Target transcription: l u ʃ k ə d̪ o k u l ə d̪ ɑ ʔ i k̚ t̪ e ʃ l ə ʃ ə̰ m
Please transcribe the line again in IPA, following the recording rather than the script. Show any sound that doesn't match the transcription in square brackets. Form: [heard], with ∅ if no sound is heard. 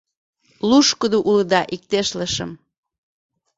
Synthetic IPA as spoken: l u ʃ k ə d̪ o [ʔ] u l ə d̪ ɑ ʔ i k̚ t̪ e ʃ l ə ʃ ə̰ m